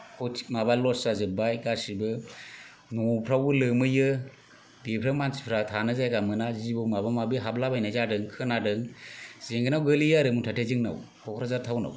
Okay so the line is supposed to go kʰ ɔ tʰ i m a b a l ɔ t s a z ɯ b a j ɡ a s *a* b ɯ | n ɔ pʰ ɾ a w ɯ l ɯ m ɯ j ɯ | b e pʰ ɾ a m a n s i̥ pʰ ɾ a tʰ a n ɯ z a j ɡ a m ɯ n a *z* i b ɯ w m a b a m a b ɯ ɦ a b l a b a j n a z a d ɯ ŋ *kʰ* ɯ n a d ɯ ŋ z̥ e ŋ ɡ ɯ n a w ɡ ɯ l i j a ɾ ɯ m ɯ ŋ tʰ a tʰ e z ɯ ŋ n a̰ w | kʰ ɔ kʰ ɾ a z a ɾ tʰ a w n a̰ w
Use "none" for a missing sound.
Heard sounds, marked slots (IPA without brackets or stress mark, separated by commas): i, z, kʰ